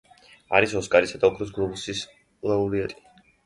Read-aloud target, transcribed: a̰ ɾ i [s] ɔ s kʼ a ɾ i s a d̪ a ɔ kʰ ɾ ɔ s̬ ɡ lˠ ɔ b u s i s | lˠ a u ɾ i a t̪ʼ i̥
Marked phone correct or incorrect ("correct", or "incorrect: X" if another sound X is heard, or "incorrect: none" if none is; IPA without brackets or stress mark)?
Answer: correct